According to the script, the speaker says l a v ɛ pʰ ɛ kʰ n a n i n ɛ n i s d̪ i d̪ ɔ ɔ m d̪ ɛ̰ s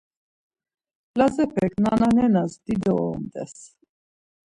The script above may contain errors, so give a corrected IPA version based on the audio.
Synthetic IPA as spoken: l a z ɛ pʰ ɛ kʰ n a n a n ɛ n a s d̪ i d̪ ɔ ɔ m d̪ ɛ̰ s